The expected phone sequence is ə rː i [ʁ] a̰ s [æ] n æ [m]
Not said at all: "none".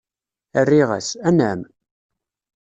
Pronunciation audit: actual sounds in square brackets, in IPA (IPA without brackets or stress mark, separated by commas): ʁ, æ, m